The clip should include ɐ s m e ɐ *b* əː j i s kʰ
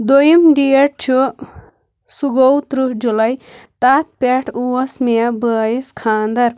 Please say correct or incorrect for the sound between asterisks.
correct